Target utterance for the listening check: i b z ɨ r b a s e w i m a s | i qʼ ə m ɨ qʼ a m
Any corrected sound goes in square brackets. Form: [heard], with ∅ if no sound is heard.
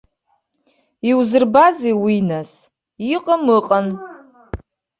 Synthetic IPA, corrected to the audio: i [w] z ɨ r b a [z] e w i [n] a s | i qʼ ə m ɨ qʼ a [n]